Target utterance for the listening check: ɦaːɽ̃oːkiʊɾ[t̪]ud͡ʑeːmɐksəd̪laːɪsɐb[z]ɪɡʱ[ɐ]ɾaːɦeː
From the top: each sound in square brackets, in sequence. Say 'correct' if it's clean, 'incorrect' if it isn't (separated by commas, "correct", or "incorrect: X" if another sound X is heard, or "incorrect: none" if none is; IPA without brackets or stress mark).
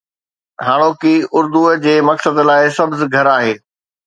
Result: incorrect: d̪, correct, correct